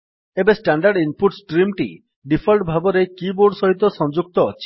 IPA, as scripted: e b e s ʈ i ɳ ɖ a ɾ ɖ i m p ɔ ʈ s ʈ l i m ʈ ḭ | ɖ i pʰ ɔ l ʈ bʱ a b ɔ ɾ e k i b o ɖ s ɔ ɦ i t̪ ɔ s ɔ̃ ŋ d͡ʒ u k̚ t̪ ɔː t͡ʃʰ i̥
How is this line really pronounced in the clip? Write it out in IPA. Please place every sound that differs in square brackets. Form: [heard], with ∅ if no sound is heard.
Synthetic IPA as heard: e b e s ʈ [a] ɳ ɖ a ɾ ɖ i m p [u] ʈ s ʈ [ɾ] i m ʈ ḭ | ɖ i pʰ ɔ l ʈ bʱ a b ɔ ɾ e k i b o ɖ s ɔ ɦ i t̪ ɔ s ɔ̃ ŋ d͡ʒ u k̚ t̪ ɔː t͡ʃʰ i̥